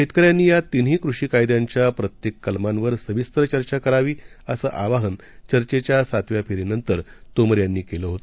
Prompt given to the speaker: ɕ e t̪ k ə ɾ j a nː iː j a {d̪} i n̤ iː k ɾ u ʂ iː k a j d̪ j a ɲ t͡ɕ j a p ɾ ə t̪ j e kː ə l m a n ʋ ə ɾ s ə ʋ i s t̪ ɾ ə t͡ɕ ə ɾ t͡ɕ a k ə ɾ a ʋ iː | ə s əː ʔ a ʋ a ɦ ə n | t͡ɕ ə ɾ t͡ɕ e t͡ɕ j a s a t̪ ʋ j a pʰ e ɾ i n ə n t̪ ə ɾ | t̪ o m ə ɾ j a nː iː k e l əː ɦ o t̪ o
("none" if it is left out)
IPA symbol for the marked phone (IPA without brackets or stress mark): t̪